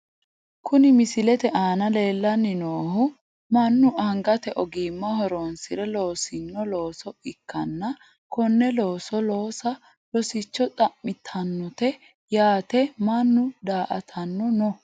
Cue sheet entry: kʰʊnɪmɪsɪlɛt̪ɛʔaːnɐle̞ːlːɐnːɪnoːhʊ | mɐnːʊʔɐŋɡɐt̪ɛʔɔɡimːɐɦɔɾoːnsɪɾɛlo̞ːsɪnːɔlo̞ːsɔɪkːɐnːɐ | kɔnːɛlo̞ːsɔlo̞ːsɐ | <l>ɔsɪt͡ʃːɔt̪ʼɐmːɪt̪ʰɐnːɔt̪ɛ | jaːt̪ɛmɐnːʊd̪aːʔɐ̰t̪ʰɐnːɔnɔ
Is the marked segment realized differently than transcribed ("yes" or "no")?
no